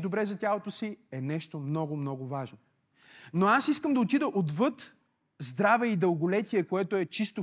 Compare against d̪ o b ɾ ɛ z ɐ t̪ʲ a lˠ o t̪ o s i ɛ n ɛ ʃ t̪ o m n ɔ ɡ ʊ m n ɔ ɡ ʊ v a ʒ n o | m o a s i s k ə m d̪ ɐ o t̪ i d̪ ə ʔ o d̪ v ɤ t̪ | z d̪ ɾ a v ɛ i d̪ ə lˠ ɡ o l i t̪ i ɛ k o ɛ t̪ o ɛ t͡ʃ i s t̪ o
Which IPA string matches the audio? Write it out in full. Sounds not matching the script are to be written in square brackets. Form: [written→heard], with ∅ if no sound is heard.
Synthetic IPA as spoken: d̪ o b ɾ ɛ z ɐ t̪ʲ a lˠ o t̪ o s i ɛ n ɛ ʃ t̪ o m n ɔ ɡ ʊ m n ɔ ɡ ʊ v a ʒ n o | [m→n] o a s i s k ə m d̪ ɐ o t̪ i d̪ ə ʔ o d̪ v ɤ t̪ | z d̪ ɾ a v ɛ i d̪ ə lˠ ɡ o l [i→ɛ] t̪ i ɛ k o ɛ t̪ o ɛ t͡ʃ i s t̪ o